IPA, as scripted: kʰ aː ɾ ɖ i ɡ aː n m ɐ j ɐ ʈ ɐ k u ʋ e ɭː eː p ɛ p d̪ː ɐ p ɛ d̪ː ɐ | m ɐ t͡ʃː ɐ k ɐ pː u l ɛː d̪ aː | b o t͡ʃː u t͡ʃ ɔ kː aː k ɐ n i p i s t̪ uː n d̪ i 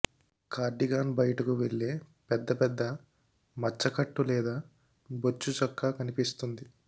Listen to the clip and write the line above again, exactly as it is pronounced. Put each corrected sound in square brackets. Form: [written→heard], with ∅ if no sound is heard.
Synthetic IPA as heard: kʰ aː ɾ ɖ i ɡ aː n [m→b] ɐ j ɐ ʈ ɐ k u ʋ e ɭː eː p ɛ [p→∅] d̪ː ɐ p ɛ d̪ː ɐ | m ɐ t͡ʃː ɐ k ɐ [pː→ʈː] u l ɛː d̪ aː | b o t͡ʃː u t͡ʃ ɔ kː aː k ɐ n i p i s t̪ [uː→u] n d̪ i

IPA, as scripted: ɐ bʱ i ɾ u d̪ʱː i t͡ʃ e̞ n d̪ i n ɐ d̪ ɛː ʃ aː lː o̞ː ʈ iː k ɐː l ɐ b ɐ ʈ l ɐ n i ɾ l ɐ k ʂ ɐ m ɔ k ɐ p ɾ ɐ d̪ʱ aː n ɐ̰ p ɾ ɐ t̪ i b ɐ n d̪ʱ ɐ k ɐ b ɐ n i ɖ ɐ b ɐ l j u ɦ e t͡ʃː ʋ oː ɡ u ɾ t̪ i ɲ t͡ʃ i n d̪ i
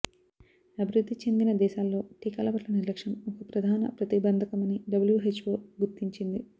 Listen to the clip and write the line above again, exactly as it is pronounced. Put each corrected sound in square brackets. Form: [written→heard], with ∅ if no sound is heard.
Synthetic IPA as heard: ɐ bʱ i ɾ u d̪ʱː i t͡ʃ e̞ n d̪ i n ɐ d̪ ɛː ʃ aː lː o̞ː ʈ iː k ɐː l ɐ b ɐ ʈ l ɐ n i ɾ l ɐ k ʂ ɐ m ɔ k ɐ p ɾ ɐ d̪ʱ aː n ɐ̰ p ɾ ɐ t̪ i b ɐ n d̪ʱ ɐ k ɐ [b→m] ɐ n i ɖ ɐ b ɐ l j u ɦ e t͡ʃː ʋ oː ɡ u ɾ t̪ i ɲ t͡ʃ i n d̪ i

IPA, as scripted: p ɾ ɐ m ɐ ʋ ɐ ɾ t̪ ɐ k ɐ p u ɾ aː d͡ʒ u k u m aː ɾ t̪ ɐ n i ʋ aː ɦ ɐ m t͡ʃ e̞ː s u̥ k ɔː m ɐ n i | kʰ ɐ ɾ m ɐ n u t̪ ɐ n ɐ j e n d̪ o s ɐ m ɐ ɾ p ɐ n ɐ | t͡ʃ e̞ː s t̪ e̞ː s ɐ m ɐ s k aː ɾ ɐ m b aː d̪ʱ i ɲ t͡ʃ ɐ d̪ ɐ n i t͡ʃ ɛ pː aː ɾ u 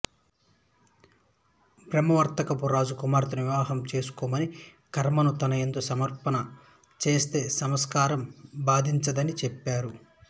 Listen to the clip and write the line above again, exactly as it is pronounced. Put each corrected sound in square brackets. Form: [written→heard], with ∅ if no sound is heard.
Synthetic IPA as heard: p ɾ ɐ m ɐ ʋ ɐ ɾ t̪ ɐ k ɐ p u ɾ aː d͡ʒ u k u m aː ɾ t̪ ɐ n i ʋ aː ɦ ɐ m t͡ʃ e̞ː s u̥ k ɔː m ɐ n i | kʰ ɐ ɾ m ɐ n u t̪ ɐ n ɐ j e n d̪ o s ɐ m ɐ ɾ p ɐ n ɐ | t͡ʃ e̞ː s t̪ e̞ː s ɐ m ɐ s k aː ɾ ɐ m b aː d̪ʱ i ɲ t͡ʃ ɐ d̪ ɐ n i t͡ʃ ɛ pː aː ɾ u

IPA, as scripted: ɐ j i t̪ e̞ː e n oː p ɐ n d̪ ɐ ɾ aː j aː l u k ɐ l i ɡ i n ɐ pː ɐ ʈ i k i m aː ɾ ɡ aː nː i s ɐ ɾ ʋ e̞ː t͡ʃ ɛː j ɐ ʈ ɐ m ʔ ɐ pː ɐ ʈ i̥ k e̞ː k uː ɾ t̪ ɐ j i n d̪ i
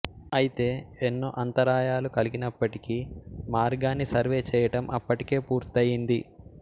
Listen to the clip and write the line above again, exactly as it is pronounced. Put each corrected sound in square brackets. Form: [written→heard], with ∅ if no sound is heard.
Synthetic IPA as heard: ɐ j i t̪ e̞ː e [n→nː] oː [p→ʔ] ɐ n [d̪→t̪] ɐ ɾ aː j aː l u k ɐ l i ɡ i n ɐ pː ɐ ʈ i k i m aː ɾ ɡ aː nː i s ɐ ɾ ʋ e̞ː t͡ʃ ɛː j ɐ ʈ ɐ m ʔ ɐ pː ɐ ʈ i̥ k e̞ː [k→p] uː ɾ t̪ ɐ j i n d̪ i

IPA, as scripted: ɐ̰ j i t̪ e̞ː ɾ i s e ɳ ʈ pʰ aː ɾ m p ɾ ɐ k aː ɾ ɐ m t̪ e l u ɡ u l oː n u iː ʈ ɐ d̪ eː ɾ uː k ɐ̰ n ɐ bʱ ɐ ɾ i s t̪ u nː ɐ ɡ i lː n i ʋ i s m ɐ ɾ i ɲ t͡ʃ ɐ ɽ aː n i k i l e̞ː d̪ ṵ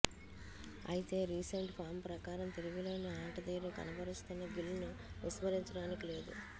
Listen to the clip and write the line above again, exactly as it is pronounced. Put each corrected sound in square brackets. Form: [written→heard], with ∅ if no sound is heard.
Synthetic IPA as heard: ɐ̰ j i t̪ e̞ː ɾ [i→iː] s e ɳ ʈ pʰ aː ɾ m p ɾ ɐ k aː ɾ ɐ m t̪ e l u ɡ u l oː n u [iː→aː] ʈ ɐ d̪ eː ɾ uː k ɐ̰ n ɐ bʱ ɐ ɾ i s t̪ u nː ɐ ɡ i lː n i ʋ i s m ɐ ɾ i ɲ t͡ʃ ɐ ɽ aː n i k i l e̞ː d̪ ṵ

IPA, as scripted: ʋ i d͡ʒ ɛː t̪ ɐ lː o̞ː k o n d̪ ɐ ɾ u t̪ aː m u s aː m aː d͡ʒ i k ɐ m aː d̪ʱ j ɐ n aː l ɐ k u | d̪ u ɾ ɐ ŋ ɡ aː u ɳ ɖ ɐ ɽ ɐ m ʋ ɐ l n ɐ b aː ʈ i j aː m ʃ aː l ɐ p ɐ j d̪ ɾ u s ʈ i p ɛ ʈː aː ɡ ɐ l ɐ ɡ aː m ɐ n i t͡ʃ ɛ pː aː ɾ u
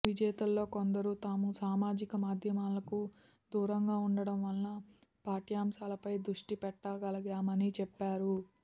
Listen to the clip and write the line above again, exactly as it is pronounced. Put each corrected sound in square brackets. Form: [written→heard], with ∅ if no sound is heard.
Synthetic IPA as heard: ʋ i d͡ʒ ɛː t̪ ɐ lː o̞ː k o n d̪ ɐ ɾ u t̪ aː m u s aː m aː d͡ʒ i k ɐ m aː d̪ʱ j ɐ [n→m] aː l ɐ k u | d̪ [u→uː] ɾ ɐ ŋ ɡ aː u ɳ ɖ ɐ ɽ ɐ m ʋ ɐ l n ɐ [b→p] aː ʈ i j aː m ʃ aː l ɐ p ɐ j d̪ ɾ u [s→ʂ] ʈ i p ɛ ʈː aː ɡ ɐ l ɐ ɡ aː m ɐ n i t͡ʃ ɛ pː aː ɾ u

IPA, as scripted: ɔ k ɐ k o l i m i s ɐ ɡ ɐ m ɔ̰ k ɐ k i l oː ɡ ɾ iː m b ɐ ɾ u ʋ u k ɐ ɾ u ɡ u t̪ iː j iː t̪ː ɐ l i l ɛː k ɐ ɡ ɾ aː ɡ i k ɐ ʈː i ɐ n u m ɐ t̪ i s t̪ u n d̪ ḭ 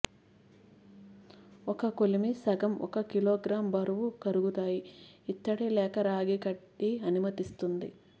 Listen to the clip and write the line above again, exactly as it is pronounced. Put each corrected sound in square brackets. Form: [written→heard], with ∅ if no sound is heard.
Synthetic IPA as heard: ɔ k ɐ k o l i m i s ɐ ɡ ɐ m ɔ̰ k ɐ k i l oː ɡ ɾ [iː→aː] m b ɐ ɾ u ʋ u k ɐ ɾ u ɡ u t̪ [iː→aː] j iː t̪ː ɐ [l→ɽ] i l ɛː k ɐ [ɡ→∅] ɾ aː ɡ i k ɐ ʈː i ɐ n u m ɐ t̪ i s t̪ u n d̪ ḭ

